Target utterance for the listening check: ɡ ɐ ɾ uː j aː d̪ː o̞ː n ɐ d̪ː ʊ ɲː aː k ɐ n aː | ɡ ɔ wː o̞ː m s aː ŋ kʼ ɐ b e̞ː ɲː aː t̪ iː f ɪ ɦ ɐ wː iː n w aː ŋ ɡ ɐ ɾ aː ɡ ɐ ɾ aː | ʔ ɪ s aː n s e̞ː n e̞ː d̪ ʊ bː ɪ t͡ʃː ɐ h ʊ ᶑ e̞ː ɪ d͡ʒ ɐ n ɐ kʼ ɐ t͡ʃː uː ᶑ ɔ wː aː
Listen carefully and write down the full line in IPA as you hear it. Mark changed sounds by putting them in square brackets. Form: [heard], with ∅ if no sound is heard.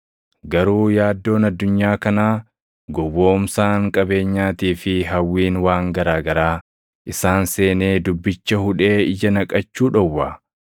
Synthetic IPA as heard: ɡ ɐ ɾ uː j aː d̪ː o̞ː n ɐ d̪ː ʊ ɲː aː k ɐ n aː | ɡ ɔ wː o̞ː m s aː ŋ kʼ ɐ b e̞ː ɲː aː t̪ iː f ɪ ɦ ɐ wː iː n w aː ŋ ɡ ɐ ɾ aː ɡ ɐ ɾ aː | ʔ ɪ s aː n s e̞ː n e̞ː d̪ ʊ bː ɪ t͡ʃː ɐ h ʊ ᶑ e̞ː ɪ d͡ʒ ɐ n ɐ kʼ ɐ t͡ʃː uː ᶑ ɔ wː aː